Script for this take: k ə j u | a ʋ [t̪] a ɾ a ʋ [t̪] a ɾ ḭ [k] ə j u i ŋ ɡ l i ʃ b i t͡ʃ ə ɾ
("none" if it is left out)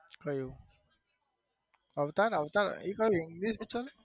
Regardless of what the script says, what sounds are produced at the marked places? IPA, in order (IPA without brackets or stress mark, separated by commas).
t̪, t̪, k